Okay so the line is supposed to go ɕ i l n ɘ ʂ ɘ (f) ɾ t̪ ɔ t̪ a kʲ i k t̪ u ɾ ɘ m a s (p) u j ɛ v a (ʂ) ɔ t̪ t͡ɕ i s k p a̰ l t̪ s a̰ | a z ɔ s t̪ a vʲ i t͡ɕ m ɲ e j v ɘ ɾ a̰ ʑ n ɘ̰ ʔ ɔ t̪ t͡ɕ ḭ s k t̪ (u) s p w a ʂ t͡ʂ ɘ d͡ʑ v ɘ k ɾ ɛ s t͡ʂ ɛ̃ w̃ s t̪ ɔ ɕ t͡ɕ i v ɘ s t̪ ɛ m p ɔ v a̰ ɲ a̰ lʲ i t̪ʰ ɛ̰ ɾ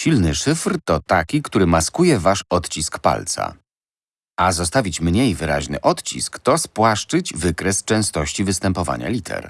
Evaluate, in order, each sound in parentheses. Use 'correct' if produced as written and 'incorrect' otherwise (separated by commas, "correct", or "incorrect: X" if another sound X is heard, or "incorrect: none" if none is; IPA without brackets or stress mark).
correct, incorrect: k, correct, incorrect: ɔ